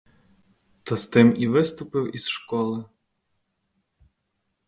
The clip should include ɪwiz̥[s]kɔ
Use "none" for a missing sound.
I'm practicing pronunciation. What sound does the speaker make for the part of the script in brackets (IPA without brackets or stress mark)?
ʃ